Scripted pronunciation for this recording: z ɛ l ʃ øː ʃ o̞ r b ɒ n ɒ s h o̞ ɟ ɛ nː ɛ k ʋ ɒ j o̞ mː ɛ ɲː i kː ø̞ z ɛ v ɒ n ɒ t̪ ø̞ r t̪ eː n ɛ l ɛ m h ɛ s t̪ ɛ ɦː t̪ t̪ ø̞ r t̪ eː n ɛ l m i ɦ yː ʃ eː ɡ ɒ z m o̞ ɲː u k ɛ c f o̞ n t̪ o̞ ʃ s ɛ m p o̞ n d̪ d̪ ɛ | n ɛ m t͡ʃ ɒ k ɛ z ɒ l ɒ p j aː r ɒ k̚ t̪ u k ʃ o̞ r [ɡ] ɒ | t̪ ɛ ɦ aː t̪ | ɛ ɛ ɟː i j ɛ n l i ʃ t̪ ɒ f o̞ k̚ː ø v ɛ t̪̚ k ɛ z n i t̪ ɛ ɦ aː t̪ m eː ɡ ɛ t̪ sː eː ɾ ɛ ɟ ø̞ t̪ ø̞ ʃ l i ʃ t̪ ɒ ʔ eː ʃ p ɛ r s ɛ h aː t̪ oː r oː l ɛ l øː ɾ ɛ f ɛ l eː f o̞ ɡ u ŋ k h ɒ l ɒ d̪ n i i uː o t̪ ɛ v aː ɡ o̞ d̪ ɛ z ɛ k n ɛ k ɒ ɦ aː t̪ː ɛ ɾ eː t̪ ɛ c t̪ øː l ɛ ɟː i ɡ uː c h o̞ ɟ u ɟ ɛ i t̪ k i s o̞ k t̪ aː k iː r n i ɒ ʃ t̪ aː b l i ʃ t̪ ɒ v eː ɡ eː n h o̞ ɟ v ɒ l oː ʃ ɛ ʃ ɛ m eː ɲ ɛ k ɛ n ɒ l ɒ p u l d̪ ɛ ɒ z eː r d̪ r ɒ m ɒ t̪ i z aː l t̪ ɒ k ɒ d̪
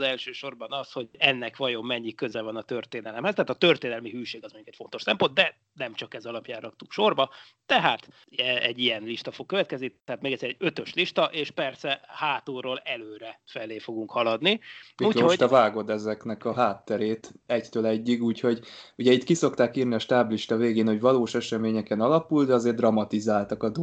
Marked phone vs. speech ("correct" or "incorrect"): incorrect